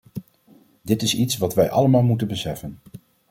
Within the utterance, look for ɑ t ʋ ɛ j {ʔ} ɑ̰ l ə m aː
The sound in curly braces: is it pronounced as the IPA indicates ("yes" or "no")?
yes